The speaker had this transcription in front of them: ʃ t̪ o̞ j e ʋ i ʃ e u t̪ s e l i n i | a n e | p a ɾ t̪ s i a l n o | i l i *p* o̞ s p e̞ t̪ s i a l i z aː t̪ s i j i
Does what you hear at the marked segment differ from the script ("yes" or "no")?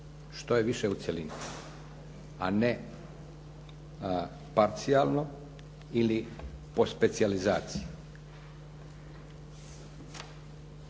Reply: no